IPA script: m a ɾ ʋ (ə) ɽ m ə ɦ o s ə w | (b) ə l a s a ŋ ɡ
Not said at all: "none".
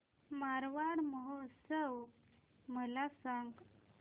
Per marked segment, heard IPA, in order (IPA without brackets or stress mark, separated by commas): a, m